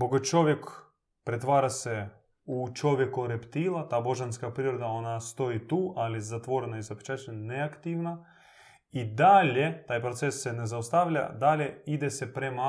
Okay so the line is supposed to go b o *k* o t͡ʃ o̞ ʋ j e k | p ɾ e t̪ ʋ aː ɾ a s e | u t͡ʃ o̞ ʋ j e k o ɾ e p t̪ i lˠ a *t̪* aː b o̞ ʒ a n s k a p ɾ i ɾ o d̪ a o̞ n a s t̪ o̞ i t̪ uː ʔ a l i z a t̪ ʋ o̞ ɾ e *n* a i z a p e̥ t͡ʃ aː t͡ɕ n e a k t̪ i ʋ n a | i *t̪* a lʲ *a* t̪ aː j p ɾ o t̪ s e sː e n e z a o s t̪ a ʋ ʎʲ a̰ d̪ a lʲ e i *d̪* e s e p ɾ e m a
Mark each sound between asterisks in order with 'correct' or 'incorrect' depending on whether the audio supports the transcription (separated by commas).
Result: incorrect, correct, correct, incorrect, incorrect, correct